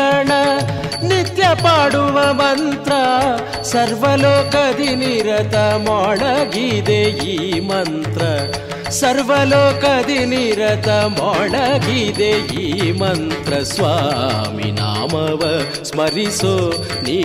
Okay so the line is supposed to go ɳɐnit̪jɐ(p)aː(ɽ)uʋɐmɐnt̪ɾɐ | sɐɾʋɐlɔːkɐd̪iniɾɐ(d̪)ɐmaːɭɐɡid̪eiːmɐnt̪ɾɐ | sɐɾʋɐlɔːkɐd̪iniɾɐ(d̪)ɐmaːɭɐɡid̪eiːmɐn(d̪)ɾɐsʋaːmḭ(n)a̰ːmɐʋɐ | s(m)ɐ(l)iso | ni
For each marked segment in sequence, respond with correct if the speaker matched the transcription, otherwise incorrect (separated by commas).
correct, correct, incorrect, incorrect, incorrect, correct, correct, incorrect